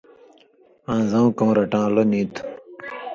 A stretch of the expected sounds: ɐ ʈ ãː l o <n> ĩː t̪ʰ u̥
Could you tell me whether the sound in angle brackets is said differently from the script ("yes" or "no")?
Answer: no